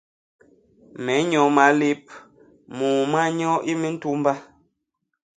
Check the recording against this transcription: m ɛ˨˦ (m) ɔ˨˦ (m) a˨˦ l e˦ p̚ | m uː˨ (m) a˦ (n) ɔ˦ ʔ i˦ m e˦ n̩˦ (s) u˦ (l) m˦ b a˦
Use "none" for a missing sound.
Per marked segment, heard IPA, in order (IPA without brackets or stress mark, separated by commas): ɲ, m, m, ɲ, t, none